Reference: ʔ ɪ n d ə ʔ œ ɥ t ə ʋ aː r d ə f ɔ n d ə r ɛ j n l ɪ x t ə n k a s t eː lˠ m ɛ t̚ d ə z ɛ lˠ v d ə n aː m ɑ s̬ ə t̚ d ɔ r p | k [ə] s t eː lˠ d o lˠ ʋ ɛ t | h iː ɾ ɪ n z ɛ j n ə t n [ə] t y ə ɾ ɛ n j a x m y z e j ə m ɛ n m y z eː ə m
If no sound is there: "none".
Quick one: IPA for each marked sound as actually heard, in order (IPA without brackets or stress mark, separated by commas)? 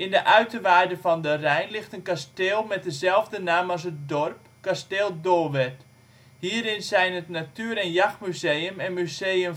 a, a